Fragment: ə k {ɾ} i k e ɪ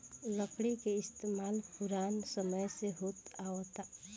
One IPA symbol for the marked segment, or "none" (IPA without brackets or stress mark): ɽ